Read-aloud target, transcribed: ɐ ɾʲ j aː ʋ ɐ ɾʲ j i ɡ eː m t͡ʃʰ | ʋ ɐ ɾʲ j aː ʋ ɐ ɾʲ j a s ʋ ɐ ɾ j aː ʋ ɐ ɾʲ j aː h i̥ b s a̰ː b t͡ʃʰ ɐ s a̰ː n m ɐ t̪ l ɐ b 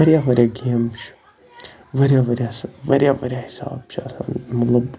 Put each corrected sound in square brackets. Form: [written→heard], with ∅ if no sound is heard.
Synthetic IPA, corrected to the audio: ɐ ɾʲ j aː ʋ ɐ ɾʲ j [i→a] ɡ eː m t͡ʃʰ | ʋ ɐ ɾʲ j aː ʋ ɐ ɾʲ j a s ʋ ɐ ɾ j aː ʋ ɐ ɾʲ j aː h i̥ [b→∅] s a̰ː b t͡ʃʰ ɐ s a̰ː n m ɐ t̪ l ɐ b